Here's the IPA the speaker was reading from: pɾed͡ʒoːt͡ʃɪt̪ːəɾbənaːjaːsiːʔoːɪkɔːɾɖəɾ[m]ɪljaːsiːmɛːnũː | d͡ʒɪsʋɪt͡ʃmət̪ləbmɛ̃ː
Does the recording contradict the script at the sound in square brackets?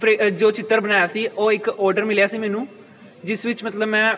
no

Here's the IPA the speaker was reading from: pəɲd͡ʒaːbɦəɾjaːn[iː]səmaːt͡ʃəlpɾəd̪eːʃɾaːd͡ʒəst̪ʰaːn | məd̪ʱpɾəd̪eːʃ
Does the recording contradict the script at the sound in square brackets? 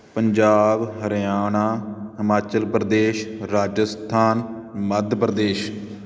yes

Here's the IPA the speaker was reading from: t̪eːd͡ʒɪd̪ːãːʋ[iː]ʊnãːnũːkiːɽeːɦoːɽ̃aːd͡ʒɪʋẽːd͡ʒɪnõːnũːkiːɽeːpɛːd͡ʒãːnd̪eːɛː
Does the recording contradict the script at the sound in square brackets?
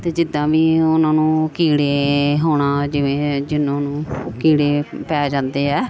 no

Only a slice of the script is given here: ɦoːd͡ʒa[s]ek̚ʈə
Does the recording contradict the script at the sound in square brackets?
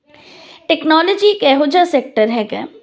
no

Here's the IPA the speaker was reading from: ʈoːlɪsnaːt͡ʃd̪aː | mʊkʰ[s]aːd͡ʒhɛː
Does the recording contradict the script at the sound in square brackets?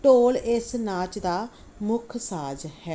no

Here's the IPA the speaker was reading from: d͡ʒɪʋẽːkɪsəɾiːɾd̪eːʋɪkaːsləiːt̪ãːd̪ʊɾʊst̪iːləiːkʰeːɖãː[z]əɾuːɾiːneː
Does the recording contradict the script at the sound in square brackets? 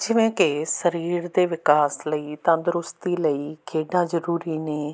no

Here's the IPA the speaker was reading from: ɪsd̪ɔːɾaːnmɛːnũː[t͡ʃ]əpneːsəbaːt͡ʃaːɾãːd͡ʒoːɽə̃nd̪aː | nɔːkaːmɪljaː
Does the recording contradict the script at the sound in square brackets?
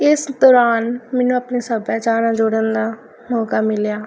yes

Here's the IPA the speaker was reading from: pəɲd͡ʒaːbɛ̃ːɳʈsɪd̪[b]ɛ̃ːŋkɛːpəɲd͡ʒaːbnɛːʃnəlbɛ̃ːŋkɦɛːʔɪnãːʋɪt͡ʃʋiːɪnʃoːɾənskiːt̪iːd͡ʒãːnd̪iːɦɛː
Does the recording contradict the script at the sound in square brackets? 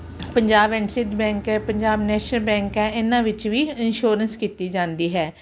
no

